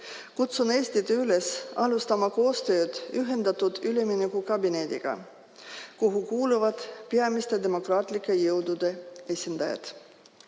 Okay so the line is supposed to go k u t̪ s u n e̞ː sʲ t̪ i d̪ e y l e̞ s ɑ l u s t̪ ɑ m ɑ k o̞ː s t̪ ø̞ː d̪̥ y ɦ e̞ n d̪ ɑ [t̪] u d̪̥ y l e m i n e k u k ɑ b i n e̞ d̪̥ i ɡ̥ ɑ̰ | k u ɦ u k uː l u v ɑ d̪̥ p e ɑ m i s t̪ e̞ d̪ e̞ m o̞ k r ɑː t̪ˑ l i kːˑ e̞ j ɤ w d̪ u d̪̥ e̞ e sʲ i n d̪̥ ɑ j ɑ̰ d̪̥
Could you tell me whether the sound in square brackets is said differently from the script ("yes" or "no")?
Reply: no